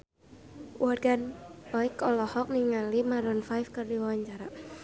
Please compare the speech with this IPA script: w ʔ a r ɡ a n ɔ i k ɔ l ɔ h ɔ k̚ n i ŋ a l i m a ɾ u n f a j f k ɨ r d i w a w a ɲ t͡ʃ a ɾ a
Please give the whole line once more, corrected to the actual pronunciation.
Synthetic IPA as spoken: w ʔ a r ɡ a n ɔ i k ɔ l ɔ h ɔ k̚ n i ŋ a l i m a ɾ ɔ n f a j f k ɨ r d i w a w a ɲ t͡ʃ a ɾ a